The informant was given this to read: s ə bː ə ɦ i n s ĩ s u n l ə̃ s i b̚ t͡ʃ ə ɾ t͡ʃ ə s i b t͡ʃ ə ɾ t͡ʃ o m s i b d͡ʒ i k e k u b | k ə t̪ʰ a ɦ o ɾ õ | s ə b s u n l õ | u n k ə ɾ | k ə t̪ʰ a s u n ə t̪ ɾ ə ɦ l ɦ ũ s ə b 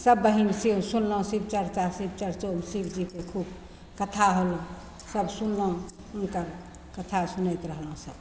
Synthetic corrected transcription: s ə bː ə ɦ i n s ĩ s u n l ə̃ s i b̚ t͡ʃ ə ɾ t͡ʃ a s i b t͡ʃ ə ɾ t͡ʃ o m s i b d͡ʒ i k e kʰ u b | k ə t̪ʰ a ɦ o l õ | s ə b s u n l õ | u n k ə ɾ | k ə t̪ʰ a s u n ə t̪ ɾ ə ɦ l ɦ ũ s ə b